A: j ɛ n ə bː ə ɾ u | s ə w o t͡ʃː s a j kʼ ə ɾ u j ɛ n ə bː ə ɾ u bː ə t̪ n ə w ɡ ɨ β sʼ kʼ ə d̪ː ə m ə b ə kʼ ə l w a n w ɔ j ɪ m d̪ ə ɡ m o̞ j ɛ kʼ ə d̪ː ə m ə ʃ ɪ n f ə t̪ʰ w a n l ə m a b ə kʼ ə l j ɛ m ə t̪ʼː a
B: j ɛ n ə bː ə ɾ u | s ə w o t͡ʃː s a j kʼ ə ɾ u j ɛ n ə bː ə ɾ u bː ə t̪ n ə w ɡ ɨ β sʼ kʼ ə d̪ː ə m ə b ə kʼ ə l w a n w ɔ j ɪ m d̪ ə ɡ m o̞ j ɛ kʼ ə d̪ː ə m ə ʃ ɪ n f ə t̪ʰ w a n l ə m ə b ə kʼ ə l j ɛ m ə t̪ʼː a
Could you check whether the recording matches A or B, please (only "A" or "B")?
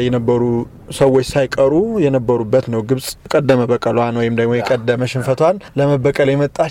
B